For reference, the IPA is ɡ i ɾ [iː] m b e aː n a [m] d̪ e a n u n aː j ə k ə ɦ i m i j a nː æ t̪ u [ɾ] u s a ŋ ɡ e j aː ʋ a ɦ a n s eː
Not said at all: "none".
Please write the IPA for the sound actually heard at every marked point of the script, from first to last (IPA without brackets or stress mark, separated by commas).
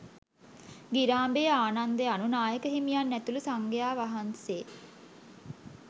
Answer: aː, n, l